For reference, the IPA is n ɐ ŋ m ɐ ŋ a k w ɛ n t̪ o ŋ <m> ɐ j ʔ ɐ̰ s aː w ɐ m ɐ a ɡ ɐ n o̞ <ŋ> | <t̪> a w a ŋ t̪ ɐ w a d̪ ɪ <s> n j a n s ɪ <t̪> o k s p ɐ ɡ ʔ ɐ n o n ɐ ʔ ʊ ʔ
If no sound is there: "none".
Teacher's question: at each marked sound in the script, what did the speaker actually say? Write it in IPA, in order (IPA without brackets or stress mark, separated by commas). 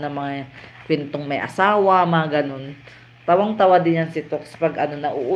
m, n, t̪, none, t̪